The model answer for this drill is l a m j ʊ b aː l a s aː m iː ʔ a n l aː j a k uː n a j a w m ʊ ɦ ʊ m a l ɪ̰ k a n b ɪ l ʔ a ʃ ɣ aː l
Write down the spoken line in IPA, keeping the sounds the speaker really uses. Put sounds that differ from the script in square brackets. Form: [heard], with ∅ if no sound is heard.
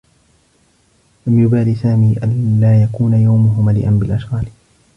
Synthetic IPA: l a m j ʊ b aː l [i] s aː m iː ʔ a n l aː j a k uː n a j a w m ʊ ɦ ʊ m a l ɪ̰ [ʔ] a n b ɪ l ʔ a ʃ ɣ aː l

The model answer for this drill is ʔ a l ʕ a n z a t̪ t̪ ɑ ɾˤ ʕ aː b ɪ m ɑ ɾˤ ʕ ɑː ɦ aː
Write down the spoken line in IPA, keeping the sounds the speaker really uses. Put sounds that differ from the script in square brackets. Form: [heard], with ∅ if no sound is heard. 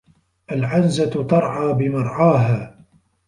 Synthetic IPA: ʔ a l ʕ a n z a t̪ t̪ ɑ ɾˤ ʕ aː b ɪ m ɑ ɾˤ ʕ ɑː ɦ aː

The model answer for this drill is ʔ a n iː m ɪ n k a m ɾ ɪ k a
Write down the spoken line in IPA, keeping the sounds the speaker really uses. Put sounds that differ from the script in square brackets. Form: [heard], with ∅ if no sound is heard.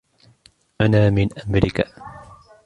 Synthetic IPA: ʔ a n [aː] m ɪ n [ʔ] a m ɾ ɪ k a

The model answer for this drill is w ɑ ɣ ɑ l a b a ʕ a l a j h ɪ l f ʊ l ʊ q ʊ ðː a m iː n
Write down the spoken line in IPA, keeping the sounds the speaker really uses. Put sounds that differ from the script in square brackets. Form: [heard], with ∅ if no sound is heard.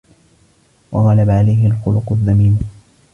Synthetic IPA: w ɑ ɣ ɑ l a b a ʕ a l a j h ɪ l [x] ʊ l ʊ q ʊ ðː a m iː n

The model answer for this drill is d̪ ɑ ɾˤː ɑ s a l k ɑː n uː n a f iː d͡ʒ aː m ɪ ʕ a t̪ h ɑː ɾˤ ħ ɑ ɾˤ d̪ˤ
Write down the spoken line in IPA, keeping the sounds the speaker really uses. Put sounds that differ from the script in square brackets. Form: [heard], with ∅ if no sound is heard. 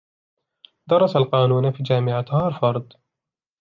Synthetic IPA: d̪ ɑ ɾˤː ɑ s a l [q] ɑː n uː n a f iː d͡ʒ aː m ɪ ʕ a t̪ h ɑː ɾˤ [f] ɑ ɾˤ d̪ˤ

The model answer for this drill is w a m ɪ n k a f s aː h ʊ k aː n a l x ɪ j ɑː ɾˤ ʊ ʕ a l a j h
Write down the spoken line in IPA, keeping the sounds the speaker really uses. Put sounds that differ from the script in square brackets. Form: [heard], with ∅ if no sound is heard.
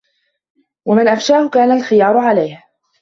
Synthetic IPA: w a m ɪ n [ʔ] a f [ʃ] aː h ʊ k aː n a l x ɪ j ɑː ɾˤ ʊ ʕ a l a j h

